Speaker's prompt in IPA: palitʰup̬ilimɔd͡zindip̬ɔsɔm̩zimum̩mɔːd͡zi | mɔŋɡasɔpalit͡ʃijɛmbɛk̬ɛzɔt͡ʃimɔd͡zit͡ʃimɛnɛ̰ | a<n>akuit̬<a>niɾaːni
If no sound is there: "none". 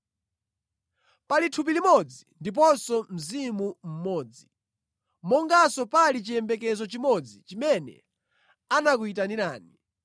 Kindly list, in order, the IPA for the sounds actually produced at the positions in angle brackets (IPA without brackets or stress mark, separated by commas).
n, a